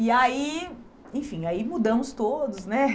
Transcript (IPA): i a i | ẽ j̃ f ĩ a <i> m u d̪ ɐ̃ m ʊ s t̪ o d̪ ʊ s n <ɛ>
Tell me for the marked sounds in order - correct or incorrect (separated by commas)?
correct, correct